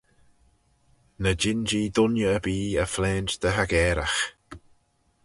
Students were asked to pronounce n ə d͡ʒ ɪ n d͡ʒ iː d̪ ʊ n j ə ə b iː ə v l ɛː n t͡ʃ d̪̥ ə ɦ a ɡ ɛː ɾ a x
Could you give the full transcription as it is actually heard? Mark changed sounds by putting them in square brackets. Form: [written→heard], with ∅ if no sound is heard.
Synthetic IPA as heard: n ə d͡ʒ ɪ n d͡ʒ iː d̪ ʊ n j ə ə b iː ə [v→f] l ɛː n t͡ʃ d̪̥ ə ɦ a ɡ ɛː ɾ a x